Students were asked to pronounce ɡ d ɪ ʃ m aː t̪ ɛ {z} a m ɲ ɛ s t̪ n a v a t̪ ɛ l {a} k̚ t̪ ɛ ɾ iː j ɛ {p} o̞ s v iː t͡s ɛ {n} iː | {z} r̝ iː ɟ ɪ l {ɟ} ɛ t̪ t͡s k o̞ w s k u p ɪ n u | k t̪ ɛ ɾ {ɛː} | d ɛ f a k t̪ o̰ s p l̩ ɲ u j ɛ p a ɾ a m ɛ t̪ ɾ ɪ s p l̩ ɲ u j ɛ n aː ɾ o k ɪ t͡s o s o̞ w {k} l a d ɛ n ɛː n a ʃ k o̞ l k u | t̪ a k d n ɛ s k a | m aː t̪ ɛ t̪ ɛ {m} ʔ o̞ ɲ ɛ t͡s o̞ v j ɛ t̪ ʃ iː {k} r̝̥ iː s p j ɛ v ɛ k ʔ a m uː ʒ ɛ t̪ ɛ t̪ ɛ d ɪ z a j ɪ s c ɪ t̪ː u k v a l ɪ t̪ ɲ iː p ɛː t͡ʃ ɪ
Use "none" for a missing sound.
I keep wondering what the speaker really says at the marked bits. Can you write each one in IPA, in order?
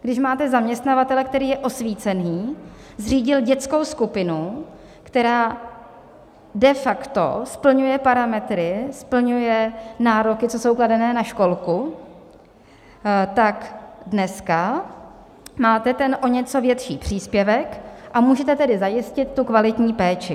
z, ɛ, ʔ, n, z, ɟ, aː, k, n, p

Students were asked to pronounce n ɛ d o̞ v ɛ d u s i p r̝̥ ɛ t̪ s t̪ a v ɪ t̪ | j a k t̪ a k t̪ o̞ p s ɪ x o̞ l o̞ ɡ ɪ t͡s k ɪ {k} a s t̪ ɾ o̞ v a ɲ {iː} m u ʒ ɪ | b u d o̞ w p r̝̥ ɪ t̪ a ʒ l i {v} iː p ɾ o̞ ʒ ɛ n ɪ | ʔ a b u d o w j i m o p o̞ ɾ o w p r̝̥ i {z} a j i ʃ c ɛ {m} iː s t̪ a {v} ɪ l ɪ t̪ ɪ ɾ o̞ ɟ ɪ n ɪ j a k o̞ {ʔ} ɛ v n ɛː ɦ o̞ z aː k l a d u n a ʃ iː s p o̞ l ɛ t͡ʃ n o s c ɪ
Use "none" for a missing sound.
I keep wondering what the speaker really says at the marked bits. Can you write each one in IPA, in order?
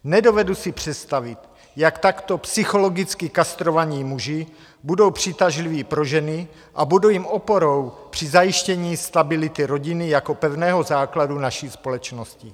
k, iː, v, z, ɲ, b, p

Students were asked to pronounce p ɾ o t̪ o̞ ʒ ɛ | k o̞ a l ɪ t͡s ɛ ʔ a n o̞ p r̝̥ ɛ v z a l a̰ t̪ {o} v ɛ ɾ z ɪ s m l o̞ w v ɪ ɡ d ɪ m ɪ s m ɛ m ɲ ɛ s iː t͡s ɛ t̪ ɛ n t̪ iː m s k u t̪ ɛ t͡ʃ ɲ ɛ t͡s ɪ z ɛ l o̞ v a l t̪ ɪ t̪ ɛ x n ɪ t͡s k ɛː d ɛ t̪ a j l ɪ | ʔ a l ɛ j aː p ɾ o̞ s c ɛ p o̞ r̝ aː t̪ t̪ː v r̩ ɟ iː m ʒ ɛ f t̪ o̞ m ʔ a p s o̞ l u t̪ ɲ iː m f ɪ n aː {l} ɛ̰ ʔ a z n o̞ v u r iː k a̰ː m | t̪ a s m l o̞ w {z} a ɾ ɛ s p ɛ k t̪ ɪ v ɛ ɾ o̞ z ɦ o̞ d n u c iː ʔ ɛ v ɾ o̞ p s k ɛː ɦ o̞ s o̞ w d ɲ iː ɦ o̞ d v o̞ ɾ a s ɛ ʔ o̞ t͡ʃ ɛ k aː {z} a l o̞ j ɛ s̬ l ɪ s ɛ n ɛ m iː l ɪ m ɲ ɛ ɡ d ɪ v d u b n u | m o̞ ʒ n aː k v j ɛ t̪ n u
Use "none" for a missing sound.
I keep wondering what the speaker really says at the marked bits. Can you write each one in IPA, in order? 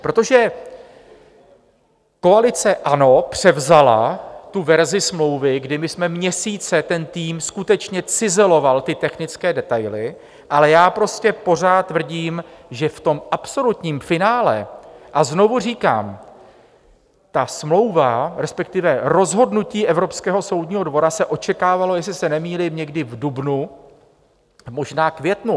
u, l, v, v

